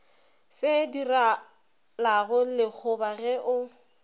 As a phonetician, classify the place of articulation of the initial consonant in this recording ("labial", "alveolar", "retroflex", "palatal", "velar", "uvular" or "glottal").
alveolar